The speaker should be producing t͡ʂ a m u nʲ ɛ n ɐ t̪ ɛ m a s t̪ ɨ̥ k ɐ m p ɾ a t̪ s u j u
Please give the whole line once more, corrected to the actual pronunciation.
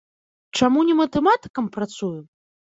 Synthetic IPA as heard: t͡ʂ a m u nʲ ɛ m ɐ t̪ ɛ m a t̪ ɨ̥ k ɐ m p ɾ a t̪ s u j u